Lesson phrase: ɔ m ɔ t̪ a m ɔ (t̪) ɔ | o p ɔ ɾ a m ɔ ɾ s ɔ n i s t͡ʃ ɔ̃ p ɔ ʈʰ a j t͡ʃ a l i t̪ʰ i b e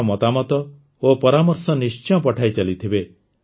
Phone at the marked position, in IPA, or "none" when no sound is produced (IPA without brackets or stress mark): t̪